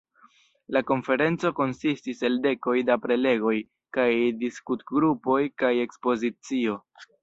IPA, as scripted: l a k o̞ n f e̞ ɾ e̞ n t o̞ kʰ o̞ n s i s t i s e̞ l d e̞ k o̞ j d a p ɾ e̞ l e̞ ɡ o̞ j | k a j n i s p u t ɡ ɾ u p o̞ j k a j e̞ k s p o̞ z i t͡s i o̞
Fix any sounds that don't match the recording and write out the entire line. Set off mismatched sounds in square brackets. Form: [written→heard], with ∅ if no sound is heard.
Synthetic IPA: l a k o̞ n f e̞ ɾ e̞ n [t→t͡s] o̞ [kʰ→k] o̞ n s i s t i s e̞ l d e̞ k o̞ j d a p ɾ e̞ l e̞ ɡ o̞ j | k a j [n→d] i s [p→k] u t ɡ ɾ u p o̞ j k a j e̞ k s p o̞ z i t͡s i o̞